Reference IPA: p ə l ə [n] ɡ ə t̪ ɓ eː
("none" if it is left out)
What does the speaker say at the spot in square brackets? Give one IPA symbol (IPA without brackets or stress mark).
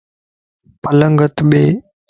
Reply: ŋ